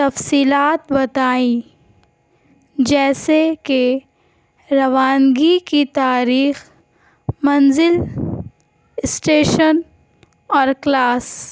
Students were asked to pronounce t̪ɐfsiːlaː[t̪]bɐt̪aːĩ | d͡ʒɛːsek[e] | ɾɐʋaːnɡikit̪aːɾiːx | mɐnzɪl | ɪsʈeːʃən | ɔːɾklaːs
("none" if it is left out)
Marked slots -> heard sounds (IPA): t̪, e

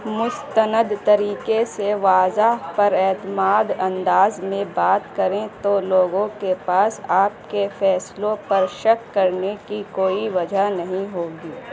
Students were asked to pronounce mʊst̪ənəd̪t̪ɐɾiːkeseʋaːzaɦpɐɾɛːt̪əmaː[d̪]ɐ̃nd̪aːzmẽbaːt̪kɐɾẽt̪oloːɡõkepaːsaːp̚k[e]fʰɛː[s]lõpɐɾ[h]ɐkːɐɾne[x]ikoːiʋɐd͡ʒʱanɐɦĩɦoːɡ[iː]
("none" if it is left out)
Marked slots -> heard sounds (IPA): d̪, e, s, ʃ, k, iː

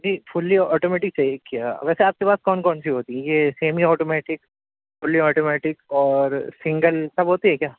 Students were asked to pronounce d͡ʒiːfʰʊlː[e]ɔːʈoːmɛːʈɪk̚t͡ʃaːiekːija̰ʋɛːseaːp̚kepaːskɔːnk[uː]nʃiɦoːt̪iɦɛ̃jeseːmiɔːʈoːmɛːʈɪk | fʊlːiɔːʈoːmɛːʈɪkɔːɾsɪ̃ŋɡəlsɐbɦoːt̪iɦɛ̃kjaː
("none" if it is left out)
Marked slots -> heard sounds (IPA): i, ɔː

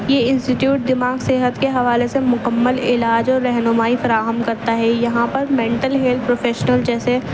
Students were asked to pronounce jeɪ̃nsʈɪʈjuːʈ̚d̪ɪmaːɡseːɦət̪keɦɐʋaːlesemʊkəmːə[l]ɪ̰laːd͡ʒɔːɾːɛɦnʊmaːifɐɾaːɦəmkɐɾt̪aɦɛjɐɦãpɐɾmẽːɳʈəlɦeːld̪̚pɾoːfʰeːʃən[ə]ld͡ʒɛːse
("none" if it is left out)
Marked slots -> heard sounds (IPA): l, ə

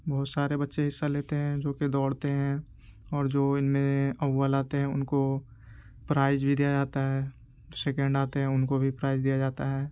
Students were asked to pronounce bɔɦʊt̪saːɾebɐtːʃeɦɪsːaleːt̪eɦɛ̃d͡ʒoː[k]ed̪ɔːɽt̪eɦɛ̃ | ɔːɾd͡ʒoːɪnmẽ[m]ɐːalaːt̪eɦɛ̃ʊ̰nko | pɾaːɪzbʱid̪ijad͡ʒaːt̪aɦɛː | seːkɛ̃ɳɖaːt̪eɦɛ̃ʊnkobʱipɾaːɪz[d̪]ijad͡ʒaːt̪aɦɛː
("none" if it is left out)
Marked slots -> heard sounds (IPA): k, none, d̪

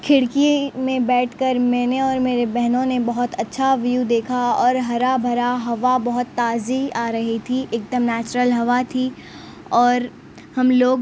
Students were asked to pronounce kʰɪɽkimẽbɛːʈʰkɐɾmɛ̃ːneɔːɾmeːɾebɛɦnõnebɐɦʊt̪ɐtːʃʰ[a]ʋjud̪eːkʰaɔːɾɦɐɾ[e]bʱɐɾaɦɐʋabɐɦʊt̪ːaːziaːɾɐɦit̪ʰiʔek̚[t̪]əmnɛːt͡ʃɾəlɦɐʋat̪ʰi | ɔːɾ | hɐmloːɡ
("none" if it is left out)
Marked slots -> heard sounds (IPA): a, a, d̪

